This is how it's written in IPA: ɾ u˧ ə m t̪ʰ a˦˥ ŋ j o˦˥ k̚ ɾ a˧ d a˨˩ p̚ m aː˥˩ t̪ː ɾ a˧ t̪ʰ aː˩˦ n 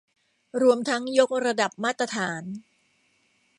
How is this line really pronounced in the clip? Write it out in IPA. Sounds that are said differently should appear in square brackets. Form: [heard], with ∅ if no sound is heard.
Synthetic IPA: ɾ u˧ ə m t̪ʰ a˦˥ ŋ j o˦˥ k̚ ɾ a˧ d a˨˩ p̚ m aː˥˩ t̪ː ɾ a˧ t̪ʰ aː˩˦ n